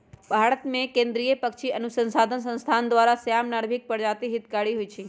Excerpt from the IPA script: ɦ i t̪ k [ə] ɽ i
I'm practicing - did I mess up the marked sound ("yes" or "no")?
yes